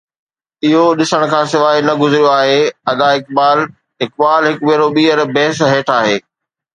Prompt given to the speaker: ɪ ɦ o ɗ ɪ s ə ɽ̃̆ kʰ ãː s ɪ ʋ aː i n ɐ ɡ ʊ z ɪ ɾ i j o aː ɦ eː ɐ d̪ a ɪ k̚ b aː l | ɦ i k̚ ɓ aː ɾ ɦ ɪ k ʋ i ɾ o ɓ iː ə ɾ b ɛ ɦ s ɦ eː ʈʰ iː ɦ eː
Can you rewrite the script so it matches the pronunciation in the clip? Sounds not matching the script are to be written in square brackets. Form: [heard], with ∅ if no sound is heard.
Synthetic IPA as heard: ɪ ɦ o ɗ ɪ s ə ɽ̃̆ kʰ ãː s ɪ ʋ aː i n ɐ ɡ ʊ z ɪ ɾ i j o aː ɦ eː ɐ d̪ a ɪ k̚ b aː l | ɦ [ɪ] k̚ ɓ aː [l] ɦ ɪ k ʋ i ɾ o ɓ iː ə ɾ b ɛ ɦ s ɦ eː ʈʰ [aː] ɦ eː